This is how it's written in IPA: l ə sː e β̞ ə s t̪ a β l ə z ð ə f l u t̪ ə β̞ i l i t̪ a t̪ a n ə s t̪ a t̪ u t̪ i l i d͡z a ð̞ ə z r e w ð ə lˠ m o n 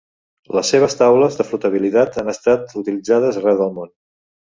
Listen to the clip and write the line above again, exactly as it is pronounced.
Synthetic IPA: l ə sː e β̞ ə s t̪ a w l ə z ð ə f l u t̪ ə β̞ i l i t̪ a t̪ a n ə s t̪ a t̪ u t̪ i l i d͡z a ð̞ ə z r ɛ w ð ə lˠ m o n